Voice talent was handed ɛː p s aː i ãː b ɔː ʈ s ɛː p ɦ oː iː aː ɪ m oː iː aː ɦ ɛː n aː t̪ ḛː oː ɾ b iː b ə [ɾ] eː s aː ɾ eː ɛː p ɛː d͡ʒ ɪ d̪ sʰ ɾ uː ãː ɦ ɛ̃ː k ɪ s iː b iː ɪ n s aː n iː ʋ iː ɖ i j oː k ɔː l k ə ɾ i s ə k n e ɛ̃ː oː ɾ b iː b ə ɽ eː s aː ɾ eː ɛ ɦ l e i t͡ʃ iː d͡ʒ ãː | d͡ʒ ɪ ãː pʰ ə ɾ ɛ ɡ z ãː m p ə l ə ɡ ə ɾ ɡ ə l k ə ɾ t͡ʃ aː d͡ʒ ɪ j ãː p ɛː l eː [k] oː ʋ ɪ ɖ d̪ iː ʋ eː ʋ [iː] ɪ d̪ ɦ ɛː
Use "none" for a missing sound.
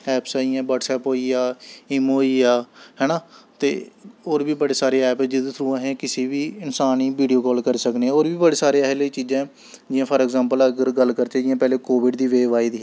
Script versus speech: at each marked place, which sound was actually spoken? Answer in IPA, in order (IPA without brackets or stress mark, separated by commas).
ɽ, k, aː